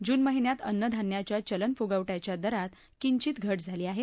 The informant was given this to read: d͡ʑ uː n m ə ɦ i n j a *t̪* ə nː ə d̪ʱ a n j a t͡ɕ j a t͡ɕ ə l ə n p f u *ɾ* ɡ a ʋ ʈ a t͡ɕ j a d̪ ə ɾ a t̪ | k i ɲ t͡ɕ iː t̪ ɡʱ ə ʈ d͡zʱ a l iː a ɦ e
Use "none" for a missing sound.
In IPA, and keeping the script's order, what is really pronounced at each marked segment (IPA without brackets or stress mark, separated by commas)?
t̪, none